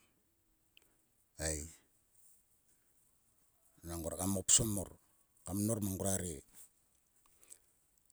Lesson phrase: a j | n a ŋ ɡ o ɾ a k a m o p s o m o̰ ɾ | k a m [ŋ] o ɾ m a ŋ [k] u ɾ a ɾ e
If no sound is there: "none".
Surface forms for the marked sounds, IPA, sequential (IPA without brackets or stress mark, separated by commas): n, ɡ